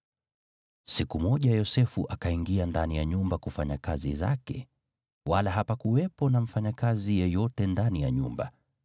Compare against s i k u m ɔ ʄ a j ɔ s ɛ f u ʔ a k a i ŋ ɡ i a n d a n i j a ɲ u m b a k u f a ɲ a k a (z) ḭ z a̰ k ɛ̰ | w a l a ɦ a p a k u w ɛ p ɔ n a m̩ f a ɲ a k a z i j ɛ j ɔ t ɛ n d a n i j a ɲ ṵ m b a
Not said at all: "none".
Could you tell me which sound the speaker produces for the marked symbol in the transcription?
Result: z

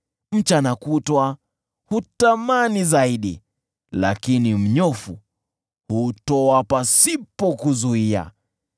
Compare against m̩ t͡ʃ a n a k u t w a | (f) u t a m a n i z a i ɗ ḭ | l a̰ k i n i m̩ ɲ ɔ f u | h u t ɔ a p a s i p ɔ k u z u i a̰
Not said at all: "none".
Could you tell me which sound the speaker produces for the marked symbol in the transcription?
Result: h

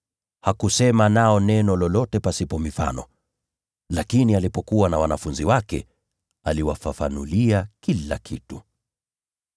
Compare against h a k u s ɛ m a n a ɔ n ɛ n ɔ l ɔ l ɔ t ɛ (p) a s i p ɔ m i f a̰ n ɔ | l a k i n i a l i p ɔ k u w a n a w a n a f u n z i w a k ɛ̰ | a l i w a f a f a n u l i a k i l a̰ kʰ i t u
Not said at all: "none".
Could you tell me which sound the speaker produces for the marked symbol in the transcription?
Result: p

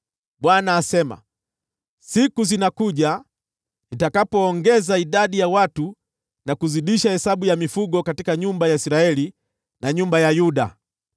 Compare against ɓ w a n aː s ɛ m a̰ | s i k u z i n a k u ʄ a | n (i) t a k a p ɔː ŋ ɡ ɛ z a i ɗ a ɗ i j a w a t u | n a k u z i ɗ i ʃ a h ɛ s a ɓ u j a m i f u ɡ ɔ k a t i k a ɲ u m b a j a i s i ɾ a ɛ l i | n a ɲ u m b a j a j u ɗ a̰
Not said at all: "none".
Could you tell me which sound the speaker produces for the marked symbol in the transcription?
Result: i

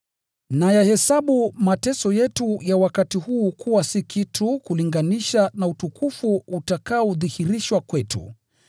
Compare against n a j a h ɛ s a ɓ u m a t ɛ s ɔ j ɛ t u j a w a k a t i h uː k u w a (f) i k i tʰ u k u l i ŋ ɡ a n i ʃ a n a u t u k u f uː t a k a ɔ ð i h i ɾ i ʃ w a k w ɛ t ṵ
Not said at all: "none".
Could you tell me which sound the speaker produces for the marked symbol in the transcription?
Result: s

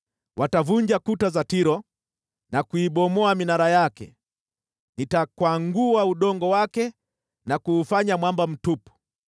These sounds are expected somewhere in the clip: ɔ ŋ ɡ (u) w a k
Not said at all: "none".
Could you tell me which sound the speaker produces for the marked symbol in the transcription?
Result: ɔ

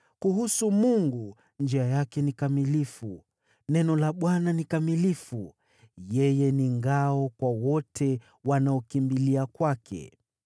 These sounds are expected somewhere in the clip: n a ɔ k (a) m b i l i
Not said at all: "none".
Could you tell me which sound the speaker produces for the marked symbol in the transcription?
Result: i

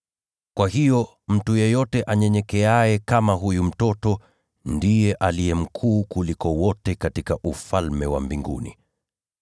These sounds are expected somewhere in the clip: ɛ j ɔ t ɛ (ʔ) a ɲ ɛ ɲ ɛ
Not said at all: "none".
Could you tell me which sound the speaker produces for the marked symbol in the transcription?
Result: ʔ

